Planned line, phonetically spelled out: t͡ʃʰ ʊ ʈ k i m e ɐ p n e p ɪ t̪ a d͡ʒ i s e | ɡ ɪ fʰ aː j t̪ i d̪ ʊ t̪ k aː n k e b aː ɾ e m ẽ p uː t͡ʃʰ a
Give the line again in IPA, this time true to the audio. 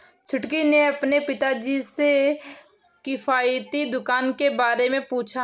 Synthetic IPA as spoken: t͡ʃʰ ʊ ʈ k i n e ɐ p n e p ɪ t̪ a d͡ʒ i s e | k ɪ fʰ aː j t̪ i d̪ ʊ k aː n k e b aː ɾ e m ẽ p uː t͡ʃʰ a

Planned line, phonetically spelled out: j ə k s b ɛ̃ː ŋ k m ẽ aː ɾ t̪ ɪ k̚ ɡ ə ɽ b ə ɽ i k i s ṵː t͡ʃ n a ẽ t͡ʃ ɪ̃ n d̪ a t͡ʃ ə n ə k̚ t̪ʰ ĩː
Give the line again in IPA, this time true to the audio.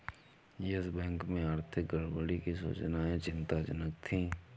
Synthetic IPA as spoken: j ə s b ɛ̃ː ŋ k m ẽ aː ɾ t̪ʰ ɪ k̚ ɡ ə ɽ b ə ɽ i k i s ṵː t͡ʃ n a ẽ t͡ʃ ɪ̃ n t̪ a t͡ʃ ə n ə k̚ t̪ʰ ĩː

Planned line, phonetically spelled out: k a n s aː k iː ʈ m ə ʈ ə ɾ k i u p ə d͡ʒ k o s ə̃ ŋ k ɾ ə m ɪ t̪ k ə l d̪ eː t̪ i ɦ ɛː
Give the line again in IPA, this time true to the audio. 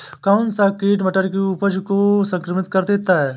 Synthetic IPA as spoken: k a n s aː k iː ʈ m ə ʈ ə ɾ k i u p ə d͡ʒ k o s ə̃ ŋ k ɾ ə m ɪ t̪ k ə ɾ d̪ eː t̪ a ɦ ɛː

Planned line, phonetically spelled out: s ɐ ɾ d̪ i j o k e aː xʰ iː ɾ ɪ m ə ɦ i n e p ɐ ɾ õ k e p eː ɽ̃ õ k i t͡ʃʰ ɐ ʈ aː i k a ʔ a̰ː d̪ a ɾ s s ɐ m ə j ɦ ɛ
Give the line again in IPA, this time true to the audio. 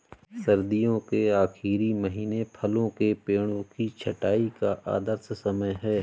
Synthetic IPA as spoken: s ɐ ɾ d̪ i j õ k e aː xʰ iː ɾ i m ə ɦ iː n e pʰ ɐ l õ k e p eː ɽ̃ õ k i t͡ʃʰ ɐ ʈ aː i k a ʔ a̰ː d̪ ə ɾ s s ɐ m ə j ɦ ɛː

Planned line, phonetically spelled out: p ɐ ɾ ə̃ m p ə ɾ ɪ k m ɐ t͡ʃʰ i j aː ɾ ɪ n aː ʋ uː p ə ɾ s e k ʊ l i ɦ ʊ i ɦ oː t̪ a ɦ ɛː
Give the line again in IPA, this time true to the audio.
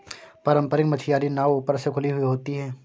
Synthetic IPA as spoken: p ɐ ɾ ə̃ m p ə ɾ ɪ k m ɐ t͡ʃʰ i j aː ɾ i n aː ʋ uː p ə ɾ s e kʰ ʊ l i ɦ ʊ i ɦ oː t̪ i ɦ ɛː

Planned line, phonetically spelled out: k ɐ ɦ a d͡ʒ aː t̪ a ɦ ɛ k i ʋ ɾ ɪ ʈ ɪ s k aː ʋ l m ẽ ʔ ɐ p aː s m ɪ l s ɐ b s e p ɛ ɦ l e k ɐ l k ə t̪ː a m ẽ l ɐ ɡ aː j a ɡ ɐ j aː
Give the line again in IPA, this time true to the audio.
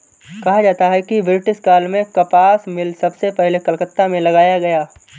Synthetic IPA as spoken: k ɐ ɦ a d͡ʒ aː t̪ a ɦ ɛ k i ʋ ɾ ɪ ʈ ɪ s k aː l m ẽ k ɐ p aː s m ɪ l s ɐ b s e p ɛ ɦ l e k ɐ l k ə t̪ː a m ẽ l ɐ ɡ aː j a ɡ ɐ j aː

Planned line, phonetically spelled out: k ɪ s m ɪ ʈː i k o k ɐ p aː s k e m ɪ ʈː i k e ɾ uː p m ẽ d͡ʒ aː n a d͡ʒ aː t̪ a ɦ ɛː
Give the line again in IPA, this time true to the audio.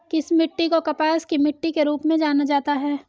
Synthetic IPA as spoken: k ɪ s m ɪ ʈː i k o k ɐ p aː s k i m ɪ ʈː i k e ɾ uː p m ẽ d͡ʒ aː n a d͡ʒ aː t̪ a ɦ ɛː

